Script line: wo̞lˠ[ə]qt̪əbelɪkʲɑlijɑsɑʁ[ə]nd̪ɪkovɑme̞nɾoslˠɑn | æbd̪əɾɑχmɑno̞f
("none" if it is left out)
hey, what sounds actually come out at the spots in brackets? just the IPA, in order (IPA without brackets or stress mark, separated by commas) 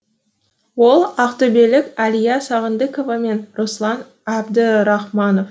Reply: ɑ, ə